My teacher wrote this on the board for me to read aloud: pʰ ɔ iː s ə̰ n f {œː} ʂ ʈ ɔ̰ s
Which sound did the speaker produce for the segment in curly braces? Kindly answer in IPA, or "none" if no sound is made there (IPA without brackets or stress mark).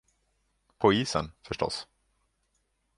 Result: œ